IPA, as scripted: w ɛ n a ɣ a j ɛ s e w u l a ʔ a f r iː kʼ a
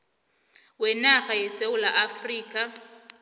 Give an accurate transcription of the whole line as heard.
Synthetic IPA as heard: w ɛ n a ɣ a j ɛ s e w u l a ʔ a f r iː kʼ a

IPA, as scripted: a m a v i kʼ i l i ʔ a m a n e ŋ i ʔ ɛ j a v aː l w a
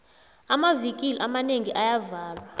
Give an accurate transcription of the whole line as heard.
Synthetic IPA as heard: a m a v i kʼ i l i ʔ a m a n e ŋ i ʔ a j a v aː l w a

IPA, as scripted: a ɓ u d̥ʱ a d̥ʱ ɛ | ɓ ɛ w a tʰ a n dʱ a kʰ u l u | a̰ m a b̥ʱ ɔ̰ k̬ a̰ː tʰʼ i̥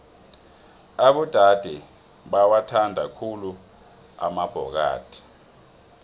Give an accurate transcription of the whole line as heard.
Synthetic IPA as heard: a ɓ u d̥ʱ a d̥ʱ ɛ | ɓ a w a tʰ a n dʱ a kʰ u l u | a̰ m a b̥ʱ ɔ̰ k̬ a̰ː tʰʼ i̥

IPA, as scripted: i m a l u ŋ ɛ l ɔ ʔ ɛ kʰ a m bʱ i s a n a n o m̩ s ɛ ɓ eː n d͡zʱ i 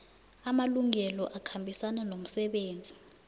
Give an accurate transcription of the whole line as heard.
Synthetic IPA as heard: a m a l u ŋ ɛ l ɔ ʔ a kʰ a m bʱ i s a n a n o m̩ s ɛ ɓ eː n d͡zʱ i

